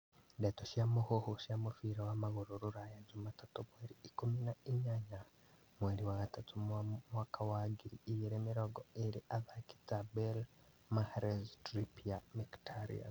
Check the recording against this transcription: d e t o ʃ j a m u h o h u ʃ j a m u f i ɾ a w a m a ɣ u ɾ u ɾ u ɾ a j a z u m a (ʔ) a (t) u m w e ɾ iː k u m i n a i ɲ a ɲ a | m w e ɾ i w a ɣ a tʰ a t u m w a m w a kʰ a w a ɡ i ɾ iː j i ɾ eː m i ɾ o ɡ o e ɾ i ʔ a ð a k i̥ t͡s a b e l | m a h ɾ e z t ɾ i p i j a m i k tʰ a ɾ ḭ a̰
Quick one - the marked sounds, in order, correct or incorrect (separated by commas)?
incorrect, correct